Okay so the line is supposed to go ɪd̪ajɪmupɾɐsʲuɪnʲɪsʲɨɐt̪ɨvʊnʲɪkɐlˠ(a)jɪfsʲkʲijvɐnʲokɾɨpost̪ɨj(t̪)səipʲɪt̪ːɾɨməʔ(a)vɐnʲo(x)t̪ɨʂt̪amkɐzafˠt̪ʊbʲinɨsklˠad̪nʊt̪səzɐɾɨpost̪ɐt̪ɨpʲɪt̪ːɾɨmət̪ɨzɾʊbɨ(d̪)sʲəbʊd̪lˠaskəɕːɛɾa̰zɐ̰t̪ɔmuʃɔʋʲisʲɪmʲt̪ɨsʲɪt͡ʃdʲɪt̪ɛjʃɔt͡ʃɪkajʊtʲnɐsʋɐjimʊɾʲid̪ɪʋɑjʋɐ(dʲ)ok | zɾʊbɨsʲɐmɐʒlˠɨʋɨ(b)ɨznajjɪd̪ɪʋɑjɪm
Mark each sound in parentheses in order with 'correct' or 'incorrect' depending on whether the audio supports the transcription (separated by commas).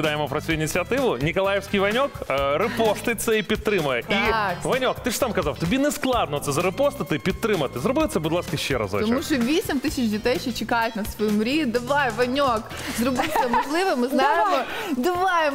correct, correct, incorrect, incorrect, incorrect, incorrect, incorrect